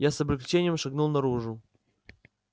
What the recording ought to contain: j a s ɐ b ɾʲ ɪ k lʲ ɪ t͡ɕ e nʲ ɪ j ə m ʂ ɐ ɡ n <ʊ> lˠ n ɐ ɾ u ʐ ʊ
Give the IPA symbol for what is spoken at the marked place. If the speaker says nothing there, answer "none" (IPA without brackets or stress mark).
u